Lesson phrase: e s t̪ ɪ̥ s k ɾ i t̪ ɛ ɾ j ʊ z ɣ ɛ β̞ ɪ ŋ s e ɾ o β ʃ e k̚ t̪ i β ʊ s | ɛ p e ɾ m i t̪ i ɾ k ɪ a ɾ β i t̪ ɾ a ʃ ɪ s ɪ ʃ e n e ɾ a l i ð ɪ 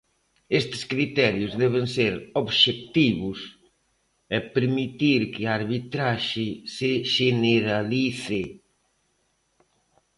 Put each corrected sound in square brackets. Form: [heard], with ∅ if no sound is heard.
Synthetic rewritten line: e s t̪ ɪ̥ s k ɾ i t̪ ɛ ɾ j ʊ z [ð] ɛ β̞ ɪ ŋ s e ɾ o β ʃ e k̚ t̪ i β ʊ s | ɛ p e ɾ m i t̪ i ɾ k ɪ a ɾ β i t̪ ɾ a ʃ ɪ s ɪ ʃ e n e ɾ a l i [θ] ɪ